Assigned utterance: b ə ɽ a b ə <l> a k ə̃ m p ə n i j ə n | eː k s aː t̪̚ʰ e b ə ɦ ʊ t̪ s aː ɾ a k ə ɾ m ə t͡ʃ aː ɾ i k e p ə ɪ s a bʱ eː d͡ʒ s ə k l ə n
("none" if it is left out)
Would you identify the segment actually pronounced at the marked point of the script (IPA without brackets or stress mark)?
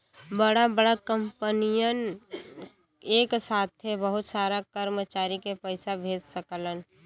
ɽ